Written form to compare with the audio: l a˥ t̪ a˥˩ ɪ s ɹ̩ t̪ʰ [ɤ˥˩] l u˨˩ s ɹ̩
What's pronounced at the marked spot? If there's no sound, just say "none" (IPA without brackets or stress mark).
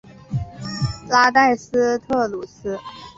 ɤ˥˩